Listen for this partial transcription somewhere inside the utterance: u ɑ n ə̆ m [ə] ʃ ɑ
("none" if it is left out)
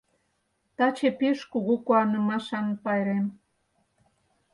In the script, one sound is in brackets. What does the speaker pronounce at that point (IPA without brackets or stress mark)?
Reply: ɑ